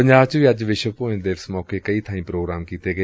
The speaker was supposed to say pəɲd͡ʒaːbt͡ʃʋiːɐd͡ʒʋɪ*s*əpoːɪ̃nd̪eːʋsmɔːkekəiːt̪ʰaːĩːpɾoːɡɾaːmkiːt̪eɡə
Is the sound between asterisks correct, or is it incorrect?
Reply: incorrect